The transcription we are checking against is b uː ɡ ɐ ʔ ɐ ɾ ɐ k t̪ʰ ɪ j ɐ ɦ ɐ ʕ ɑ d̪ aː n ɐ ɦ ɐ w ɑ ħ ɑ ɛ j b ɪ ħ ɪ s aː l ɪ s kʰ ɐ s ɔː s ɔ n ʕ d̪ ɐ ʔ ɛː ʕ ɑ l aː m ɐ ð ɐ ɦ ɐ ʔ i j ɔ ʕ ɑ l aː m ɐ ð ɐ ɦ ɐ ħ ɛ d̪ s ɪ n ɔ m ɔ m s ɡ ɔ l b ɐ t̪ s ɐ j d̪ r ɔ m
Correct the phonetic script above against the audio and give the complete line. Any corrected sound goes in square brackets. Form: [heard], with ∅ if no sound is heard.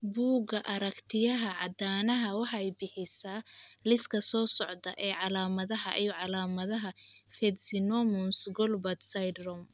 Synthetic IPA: b uː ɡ ɐ ʔ ɐ ɾ ɐ k t̪ʰ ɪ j ɐ ɦ ɐ ʕ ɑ d̪ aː n ɐ ɦ ɐ w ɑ ħ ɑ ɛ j b ɪ ħ ɪ s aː l ɪ s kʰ ɐ s ɔː s ɔ [∅] ʕ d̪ ɐ ʔ ɛː ʕ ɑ l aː m ɐ ð ɐ ɦ ɐ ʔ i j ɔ ʕ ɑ l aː m ɐ ð ɐ ɦ ɐ [f] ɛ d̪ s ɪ n ɔ m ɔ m s ɡ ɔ l b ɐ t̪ s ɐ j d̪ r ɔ m